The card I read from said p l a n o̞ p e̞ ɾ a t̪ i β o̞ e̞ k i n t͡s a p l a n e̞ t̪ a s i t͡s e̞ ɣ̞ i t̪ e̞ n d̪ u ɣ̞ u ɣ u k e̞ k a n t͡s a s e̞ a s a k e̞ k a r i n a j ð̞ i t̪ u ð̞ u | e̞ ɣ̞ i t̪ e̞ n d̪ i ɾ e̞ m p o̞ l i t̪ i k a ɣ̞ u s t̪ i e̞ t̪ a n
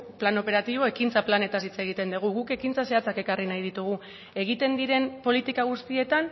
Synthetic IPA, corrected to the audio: p l a n o̞ p e̞ ɾ a t̪ i β o̞ e̞ k i n t͡s a p l a n e̞ t̪ a s i t͡s e̞ ɣ̞ i t̪ e̞ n d̪ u ɣ̞ u ɣ u k e̞ k i n t͡s a s e̞ a t͡s a k e̞ k a r i n a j ð̞ i t̪ u ɣ̞ u | e̞ ɣ̞ i t̪ e̞ n d̪ i ɾ e̞ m p o̞ l i t̪ i k a ɣ̞ u s t̪ i e̞ t̪ a n